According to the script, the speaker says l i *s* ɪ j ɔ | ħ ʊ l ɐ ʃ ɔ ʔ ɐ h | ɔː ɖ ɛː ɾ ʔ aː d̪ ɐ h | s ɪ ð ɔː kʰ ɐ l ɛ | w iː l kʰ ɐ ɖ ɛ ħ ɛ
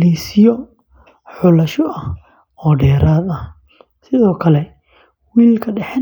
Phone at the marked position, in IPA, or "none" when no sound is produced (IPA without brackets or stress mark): s